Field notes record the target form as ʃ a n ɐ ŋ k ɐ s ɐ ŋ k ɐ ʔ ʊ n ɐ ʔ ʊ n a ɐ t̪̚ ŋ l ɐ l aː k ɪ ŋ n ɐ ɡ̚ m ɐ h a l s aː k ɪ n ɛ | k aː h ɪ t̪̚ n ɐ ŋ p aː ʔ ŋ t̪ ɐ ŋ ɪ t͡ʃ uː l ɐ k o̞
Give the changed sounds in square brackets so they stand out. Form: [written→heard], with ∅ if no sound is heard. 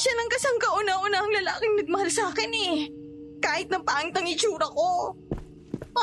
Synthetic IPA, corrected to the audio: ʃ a n ɐ ŋ k ɐ s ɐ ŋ k ɐ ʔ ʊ n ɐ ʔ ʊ n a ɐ [t̪̚→∅] ŋ l ɐ l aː k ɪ ŋ n ɐ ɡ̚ m ɐ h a l s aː k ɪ n ɛ | k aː h ɪ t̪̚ n ɐ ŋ p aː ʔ ŋ t̪ ɐ ŋ ɪ t͡ʃ uː [l→ɾ] ɐ k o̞